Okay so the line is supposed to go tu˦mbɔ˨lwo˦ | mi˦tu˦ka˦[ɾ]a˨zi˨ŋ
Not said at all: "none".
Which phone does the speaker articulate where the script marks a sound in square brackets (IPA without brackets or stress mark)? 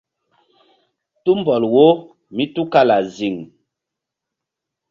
l